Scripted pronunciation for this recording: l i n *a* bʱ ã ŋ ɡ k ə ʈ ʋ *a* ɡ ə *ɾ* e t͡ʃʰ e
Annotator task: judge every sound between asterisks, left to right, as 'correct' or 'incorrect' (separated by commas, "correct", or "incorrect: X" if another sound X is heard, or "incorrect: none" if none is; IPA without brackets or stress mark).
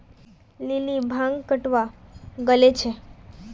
incorrect: i, correct, incorrect: l